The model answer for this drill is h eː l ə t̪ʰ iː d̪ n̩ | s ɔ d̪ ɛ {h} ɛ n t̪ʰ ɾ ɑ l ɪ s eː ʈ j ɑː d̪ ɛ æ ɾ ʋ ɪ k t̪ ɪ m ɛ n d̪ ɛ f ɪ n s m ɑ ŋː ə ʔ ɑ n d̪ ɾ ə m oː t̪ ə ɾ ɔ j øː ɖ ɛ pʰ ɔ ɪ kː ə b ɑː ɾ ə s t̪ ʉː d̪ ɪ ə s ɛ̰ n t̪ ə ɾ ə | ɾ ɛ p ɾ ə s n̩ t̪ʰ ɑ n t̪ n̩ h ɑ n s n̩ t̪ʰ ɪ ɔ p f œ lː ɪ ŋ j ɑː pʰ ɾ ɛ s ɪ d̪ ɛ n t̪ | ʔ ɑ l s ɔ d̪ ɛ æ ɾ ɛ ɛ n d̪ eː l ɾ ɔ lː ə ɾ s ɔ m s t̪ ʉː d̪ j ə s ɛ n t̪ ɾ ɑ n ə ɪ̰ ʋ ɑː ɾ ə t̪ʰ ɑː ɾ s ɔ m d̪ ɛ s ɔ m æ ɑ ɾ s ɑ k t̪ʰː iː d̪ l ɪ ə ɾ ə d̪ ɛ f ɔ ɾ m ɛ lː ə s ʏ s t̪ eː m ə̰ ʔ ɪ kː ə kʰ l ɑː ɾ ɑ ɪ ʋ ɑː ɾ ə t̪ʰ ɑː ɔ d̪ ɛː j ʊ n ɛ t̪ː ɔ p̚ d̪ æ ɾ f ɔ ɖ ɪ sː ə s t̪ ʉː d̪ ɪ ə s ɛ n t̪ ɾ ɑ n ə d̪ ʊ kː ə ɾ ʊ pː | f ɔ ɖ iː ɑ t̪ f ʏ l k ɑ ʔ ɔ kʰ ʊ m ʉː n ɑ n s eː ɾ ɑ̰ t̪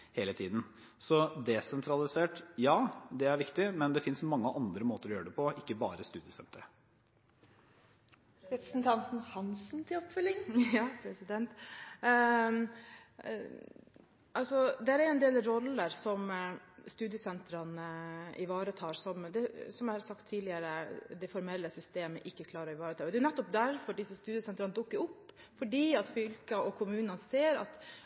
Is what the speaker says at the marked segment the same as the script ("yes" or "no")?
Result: no